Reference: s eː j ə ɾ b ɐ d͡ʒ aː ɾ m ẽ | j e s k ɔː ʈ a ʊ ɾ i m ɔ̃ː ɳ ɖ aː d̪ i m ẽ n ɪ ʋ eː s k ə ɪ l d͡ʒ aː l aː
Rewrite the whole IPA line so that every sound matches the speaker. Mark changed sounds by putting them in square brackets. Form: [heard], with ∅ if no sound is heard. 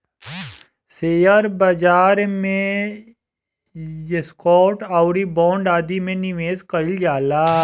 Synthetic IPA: s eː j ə ɾ b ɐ d͡ʒ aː ɾ m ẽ | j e s k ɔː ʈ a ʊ ɾ i [b] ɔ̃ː ɳ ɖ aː d̪ i m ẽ n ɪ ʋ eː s k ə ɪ l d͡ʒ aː l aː